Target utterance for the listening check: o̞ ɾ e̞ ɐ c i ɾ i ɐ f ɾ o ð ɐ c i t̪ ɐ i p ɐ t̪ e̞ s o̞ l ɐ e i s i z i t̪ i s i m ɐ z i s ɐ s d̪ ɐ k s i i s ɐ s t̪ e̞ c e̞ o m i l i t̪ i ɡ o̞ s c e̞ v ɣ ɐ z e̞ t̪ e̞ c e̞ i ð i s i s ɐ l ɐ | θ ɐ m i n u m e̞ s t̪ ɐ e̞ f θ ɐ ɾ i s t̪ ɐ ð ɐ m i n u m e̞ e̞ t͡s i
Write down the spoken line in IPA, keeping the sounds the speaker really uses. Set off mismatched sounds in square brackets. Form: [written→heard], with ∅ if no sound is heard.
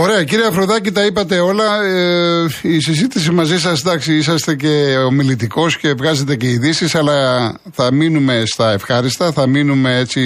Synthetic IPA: o̞ ɾ e̞ ɐ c i ɾ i ɐ f ɾ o ð ɐ c i t̪ ɐ i p ɐ t̪ e̞ [s→∅] o̞ l ɐ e i s i z i t̪ i s i m ɐ z i s ɐ s d̪ ɐ k s i i s ɐ s t̪ e̞ c e̞ o m i l i t̪ i [ɡ→k] o̞ s c e̞ v ɣ ɐ z e̞ t̪ e̞ c e̞ i ð i s i s ɐ l ɐ | θ ɐ m i n u m e̞ s t̪ ɐ e̞ f [θ→x] ɐ ɾ i s t̪ ɐ [ð→θ] ɐ m i n u m e̞ e̞ t͡s i